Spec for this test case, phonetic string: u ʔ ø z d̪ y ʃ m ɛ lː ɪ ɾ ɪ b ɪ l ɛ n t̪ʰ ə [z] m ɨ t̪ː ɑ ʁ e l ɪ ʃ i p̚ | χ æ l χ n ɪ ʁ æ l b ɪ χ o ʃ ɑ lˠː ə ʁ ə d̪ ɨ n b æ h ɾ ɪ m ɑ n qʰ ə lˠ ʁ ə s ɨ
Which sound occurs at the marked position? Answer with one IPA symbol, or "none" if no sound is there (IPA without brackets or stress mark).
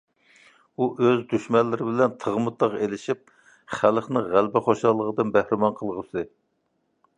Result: ʁ